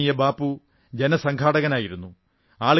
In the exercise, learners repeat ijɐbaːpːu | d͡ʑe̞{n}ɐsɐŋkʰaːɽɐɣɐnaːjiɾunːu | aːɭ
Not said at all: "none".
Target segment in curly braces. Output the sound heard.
n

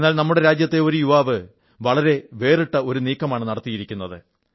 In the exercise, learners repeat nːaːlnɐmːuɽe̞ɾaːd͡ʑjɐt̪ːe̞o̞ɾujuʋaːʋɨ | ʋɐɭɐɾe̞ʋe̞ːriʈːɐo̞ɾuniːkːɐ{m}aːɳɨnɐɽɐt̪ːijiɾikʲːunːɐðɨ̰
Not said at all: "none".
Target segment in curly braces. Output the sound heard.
m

